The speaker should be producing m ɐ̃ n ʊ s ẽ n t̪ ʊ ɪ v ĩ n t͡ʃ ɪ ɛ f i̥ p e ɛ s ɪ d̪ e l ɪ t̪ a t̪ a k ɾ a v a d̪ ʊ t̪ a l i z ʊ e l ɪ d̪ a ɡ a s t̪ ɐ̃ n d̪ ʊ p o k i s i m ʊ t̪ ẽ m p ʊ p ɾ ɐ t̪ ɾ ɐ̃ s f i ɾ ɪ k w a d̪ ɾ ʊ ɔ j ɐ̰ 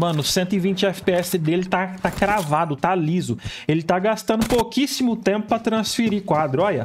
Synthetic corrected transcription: m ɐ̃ n ʊ s ẽ n t̪ ʊ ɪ v ĩ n t͡ʃ ɪ ɛ f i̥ p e ɛ s ɪ d̪ e l ɪ t̪ a t̪ a k ɾ a v a d̪ ʊ t̪ a l i z ʊ e l ɪ t̪ a ɡ a s t̪ ɐ̃ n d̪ ʊ p o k i s i m ʊ t̪ ẽ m p ʊ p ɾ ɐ t̪ ɾ ɐ̃ s f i ɾ i k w a d̪ ɾ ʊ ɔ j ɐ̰

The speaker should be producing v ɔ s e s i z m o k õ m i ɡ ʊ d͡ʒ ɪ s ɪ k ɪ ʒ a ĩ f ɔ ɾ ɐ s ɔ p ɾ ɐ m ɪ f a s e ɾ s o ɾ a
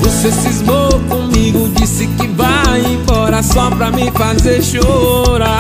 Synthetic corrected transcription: v o s e s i z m o k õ m i ɡ ʊ d͡ʒ i s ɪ k ɪ v a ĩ f ɔ ɾ ɐ s ɔ p ɾ ɐ m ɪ f a z e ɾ ʃ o ɾ a

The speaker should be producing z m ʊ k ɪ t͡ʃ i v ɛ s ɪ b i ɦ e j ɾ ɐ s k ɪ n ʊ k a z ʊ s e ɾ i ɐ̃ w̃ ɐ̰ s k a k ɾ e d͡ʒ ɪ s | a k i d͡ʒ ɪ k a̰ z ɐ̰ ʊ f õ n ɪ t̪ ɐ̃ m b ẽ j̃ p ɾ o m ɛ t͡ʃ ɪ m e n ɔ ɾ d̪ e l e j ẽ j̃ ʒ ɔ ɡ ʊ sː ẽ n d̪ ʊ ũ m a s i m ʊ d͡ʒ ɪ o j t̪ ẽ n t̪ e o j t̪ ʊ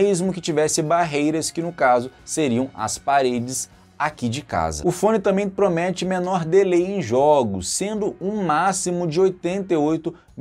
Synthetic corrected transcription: z m ʊ k ɪ t͡ʃ i v ɛ s ɪ b a ɦ e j ɾ ɐ s k ɪ n ʊ k a z ʊ s e ɾ i ɐ̃ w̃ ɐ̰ s p a ɾ e d͡ʒ ɪ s | a k i d͡ʒ ɪ k a̰ z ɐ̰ ʊ f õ n ɪ t̪ ɐ̃ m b ẽ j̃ p ɾ o m ɛ t͡ʃ ɪ m e n ɔ ɾ d̪ e l e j ẽ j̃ ʒ ɔ ɡ ʊ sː ẽ n d̪ ʊ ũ m a s i m ʊ d͡ʒ ɪ o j t̪ ẽ n t̪ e o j t̪ ʊ

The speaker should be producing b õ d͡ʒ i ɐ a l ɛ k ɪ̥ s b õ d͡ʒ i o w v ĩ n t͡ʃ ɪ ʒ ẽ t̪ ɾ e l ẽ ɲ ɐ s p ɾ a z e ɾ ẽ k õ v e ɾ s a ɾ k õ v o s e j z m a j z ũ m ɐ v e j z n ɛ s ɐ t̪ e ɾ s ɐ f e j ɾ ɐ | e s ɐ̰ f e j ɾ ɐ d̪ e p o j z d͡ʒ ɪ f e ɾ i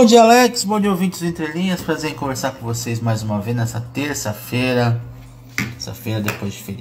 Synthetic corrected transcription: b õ d͡ʒ i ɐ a l ɛ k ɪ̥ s b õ d͡ʒ i o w v ĩ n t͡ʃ ɪ z ẽ t̪ ɾ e l ĩ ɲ ɐ s p ɾ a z e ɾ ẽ k õ v e ɾ s a ɾ k õ v o s e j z m a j z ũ m ɐ v e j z n ɛ s ɐ t̪ e ɾ s ɐ f e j ɾ ɐ | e s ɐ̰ f e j ɾ ɐ d̪ e p o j z d͡ʒ ɪ f e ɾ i

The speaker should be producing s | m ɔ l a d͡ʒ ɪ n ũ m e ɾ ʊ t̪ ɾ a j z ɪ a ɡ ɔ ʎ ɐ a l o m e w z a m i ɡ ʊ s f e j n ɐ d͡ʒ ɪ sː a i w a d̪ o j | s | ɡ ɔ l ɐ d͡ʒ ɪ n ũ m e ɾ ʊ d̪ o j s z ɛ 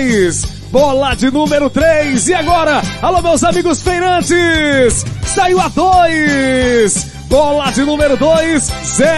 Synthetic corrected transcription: s | b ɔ l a d͡ʒ ɪ n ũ m e ɾ ʊ t̪ ɾ e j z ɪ a ɡ ɔ ɾ ɐ a l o m e w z a m i ɡ ʊ s f e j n ɐ̃ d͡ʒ ɪ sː a i w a d̪ o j | s | b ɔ l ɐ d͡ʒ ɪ n ũ m e ɾ ʊ d̪ o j s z ɛ

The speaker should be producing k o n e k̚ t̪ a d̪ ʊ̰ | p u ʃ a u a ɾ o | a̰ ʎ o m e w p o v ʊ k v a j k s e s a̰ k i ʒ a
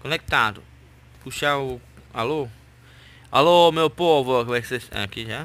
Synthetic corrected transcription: k o n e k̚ t̪ a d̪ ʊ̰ | k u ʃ a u a l o | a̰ l o m e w p o v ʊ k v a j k s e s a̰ k i ʒ a

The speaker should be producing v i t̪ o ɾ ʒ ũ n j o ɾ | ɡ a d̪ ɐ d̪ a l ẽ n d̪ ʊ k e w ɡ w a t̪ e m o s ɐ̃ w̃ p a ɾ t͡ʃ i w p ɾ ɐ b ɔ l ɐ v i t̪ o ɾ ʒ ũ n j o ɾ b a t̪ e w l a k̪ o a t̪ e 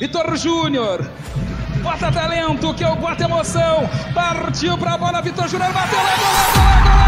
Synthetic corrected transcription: v i t̪ o ɾ ʒ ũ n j o ɾ | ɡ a t̪ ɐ t̪ a l ẽ n t̪ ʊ k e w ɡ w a t̪ e m o s ɐ̃ w̃ p a ɾ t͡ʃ i w p ɾ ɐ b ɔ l ɐ v i t̪ o ɾ ʒ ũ n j o ɾ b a t̪ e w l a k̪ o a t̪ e

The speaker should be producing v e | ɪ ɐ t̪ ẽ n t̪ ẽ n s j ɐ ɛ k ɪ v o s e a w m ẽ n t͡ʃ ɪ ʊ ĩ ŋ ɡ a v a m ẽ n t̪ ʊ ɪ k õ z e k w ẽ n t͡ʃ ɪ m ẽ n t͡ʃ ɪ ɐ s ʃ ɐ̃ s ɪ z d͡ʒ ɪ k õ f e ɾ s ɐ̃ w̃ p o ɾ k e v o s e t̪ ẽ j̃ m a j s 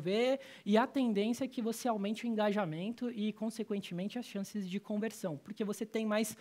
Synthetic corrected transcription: v e | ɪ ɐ t̪ ẽ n d̪ ẽ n s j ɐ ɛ k ɪ v o s e a w m ẽ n t͡ʃ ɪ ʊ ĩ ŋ ɡ a ʒ a m ẽ n t̪ ʊ ɪ k õ s e k w ẽ n t͡ʃ ɪ m ẽ n t͡ʃ ɪ ɐ s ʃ ɐ̃ s ɪ z d͡ʒ ɪ k õ v e ɾ s ɐ̃ w̃ p o ɾ k e v o s e t̪ ẽ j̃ m a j s

